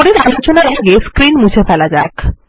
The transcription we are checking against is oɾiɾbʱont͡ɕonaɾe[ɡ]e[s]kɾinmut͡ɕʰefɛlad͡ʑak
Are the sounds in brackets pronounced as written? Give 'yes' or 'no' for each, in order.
yes, yes

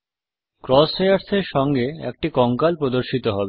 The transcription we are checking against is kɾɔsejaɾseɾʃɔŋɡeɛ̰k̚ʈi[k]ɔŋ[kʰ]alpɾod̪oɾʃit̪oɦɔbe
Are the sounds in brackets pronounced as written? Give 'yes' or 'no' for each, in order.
yes, no

